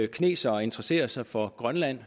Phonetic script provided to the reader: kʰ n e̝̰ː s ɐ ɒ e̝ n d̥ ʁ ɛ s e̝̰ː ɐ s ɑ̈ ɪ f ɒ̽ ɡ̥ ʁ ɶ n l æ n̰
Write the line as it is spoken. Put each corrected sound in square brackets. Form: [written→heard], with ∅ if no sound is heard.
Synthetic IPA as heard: kʰ n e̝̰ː s ɐ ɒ e̝ n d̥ ʁ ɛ s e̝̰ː ɐ s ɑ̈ ɪ f ɒ̽ ɡ̥ ʁ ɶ n l æ n̰